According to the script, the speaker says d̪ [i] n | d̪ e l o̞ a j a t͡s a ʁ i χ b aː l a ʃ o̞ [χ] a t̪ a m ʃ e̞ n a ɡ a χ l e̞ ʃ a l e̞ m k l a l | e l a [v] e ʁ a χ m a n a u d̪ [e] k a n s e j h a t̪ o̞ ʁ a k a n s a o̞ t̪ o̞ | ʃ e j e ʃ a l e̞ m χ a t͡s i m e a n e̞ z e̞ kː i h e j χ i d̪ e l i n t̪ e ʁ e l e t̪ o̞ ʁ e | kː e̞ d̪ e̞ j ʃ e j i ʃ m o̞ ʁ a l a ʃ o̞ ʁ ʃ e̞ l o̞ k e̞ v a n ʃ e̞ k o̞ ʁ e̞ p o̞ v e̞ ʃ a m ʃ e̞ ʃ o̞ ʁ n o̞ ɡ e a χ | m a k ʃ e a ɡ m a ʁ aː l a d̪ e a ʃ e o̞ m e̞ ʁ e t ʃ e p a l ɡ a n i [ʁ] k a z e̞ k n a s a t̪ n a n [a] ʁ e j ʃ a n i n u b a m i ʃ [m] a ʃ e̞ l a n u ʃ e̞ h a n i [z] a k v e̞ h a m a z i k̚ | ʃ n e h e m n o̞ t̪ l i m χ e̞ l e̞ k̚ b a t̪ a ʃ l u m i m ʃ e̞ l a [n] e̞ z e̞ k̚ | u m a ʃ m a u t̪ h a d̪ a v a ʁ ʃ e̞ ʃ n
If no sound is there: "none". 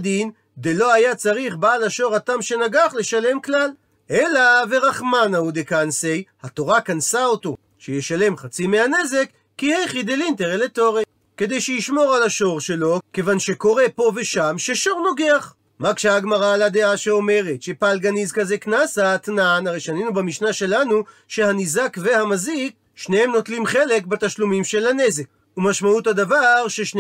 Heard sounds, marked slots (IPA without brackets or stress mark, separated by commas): i, ʁ, v, e, z, a, n, z, n